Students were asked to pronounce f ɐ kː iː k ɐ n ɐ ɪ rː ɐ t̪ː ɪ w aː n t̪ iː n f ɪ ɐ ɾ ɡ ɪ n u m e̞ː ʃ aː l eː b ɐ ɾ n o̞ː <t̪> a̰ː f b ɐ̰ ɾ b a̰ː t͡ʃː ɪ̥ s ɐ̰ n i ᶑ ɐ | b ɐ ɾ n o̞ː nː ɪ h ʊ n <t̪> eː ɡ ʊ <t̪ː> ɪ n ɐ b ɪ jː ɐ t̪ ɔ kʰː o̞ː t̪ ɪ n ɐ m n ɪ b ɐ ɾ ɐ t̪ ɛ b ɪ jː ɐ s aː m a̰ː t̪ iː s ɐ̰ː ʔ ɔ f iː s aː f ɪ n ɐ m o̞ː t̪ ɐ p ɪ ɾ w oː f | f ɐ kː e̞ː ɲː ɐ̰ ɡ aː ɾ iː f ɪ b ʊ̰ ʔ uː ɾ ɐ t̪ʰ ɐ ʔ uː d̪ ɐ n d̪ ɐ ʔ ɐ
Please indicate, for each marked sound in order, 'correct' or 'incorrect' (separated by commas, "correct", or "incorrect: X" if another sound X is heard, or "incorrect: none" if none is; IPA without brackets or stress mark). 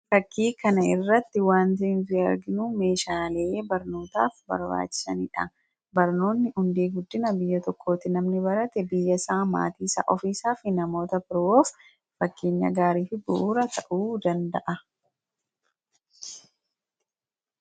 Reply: correct, incorrect: d̪, incorrect: d̪ː